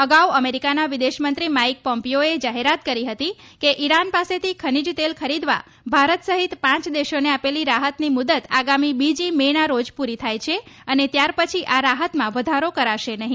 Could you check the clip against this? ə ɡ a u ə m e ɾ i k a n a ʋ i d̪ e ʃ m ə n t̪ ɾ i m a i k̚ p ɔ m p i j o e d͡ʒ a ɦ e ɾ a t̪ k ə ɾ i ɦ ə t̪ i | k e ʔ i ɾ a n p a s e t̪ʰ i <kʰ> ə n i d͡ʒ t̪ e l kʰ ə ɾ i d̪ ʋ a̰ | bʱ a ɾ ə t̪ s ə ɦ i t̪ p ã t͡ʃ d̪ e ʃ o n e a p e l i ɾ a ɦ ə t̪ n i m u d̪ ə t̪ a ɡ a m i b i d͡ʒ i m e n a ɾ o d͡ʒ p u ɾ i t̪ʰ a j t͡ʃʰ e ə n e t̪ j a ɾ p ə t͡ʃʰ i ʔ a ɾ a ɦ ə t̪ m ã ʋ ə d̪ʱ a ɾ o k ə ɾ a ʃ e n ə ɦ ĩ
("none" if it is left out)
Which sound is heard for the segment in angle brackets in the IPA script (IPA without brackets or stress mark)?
kʰ